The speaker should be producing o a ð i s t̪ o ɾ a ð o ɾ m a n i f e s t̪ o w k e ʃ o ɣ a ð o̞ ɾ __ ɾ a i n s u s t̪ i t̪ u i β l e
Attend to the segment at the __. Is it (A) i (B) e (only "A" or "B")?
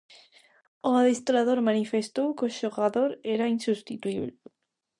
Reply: B